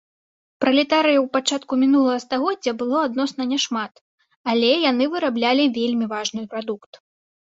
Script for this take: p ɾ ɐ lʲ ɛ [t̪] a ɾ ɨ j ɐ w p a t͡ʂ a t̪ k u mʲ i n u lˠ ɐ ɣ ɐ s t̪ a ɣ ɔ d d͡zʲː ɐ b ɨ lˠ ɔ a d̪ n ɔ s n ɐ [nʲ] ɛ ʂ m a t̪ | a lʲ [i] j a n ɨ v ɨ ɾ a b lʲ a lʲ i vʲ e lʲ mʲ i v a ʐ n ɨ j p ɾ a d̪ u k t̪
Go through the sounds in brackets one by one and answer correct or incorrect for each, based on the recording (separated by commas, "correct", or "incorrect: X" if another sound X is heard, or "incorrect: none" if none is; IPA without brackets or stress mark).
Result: correct, correct, incorrect: ɛ